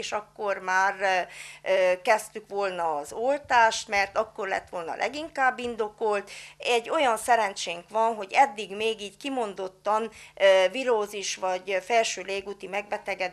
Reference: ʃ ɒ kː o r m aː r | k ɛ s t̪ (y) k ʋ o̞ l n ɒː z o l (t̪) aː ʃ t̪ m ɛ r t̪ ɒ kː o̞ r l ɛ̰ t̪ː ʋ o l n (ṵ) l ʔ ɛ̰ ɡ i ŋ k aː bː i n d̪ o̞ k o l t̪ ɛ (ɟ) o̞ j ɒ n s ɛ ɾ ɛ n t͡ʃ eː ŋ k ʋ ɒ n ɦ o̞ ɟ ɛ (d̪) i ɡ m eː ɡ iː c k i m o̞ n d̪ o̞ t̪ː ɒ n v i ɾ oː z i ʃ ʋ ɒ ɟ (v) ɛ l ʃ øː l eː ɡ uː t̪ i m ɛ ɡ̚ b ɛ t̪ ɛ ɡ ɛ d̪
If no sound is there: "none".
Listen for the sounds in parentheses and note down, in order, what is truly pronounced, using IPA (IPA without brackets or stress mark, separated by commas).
y, t̪, ɒ̰, ɟː, d̪ː, f